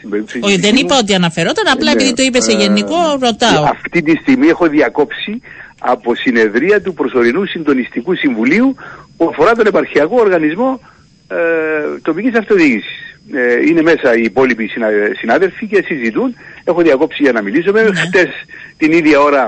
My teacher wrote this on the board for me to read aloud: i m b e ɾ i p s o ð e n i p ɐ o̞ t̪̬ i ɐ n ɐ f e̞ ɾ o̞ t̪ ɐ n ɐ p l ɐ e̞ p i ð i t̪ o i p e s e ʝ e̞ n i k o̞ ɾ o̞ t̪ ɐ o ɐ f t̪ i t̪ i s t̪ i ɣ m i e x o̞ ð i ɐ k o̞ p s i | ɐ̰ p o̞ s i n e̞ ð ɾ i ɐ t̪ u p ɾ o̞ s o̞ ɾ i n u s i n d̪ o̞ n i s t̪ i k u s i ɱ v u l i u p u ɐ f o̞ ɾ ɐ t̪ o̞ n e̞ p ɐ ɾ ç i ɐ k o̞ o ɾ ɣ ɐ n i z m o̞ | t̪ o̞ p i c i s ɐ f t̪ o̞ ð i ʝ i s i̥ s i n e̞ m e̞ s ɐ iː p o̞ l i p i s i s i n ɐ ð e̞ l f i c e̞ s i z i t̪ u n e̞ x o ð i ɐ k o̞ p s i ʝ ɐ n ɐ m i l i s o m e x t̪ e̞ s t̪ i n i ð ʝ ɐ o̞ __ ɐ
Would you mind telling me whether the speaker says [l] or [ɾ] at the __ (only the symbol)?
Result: ɾ